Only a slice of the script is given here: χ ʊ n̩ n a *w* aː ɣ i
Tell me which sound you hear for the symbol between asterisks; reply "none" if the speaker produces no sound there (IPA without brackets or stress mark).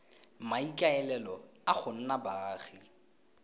b